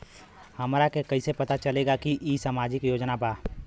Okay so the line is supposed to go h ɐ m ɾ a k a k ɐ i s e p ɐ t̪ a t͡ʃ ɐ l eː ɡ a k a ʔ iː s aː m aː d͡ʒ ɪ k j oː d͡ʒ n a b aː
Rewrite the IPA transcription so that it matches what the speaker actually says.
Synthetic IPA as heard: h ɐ m ɾ a k e k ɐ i s e p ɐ t̪ a t͡ʃ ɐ l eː ɡ a k i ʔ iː s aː m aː d͡ʒ ɪ k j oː d͡ʒ n a b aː